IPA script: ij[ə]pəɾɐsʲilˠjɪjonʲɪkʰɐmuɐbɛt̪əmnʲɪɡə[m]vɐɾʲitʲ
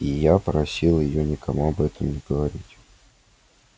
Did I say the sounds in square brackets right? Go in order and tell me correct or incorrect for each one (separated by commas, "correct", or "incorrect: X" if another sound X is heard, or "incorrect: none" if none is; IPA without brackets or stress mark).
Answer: incorrect: a, incorrect: none